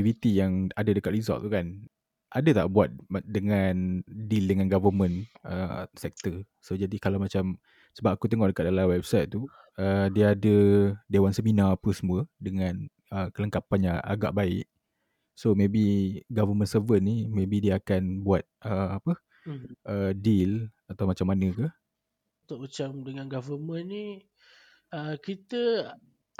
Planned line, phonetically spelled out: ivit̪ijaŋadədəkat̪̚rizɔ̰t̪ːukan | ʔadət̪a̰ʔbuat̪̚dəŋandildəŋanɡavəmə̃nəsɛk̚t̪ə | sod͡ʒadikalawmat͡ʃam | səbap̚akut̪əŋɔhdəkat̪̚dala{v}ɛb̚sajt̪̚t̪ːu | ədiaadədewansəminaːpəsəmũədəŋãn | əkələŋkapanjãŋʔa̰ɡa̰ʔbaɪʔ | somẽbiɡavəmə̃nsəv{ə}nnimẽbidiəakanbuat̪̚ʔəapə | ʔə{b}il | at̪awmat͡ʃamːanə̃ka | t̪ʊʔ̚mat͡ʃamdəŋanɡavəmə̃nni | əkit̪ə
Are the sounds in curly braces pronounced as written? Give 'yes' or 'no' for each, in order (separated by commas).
no, yes, no